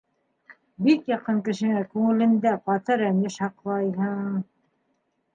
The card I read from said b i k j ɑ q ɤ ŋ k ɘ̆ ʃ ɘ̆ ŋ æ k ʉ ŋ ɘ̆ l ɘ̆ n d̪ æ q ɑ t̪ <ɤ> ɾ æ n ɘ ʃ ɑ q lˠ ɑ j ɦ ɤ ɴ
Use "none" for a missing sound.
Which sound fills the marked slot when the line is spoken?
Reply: ɤ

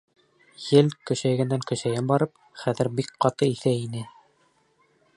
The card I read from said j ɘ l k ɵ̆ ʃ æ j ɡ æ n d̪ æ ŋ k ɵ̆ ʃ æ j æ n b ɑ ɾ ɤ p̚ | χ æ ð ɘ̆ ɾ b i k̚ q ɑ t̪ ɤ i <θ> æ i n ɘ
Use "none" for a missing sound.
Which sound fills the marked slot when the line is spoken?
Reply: θ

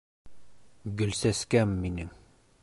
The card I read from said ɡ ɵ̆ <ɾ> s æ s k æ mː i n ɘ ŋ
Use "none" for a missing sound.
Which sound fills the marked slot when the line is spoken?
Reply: l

